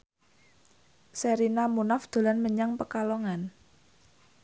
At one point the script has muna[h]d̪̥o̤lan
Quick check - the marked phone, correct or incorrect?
incorrect